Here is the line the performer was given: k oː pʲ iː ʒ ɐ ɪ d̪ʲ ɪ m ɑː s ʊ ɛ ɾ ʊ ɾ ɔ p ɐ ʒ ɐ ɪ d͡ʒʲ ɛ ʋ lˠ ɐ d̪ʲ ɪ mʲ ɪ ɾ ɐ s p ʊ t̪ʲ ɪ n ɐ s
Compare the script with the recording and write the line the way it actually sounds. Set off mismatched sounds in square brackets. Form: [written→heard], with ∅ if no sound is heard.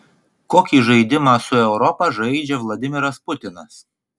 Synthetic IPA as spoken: k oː [pʲ→kʲ] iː ʒ ɐ ɪ d̪ʲ ɪ m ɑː s ʊ ɛ [ɾ→∅] ʊ ɾ ɔ p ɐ ʒ ɐ ɪ d͡ʒʲ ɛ ʋ lˠ ɐ d̪ʲ ɪ mʲ ɪ ɾ ɐ s p ʊ t̪ʲ ɪ n ɐ s

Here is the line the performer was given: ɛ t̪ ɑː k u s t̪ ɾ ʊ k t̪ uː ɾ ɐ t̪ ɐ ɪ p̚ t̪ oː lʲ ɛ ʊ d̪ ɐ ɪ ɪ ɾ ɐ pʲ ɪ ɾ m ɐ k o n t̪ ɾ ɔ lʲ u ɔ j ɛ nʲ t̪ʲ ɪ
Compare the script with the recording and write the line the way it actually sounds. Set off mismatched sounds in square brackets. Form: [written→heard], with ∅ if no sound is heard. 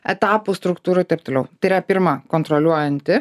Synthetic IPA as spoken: ɛ t̪ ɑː [k→p] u s t̪ ɾ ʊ k t̪ uː ɾ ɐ t̪ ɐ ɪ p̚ t̪ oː lʲ ɛ ʊ [d̪→t̪] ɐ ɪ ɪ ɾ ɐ pʲ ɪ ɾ m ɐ k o n t̪ ɾ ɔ lʲ u ɔ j ɛ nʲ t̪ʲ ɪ

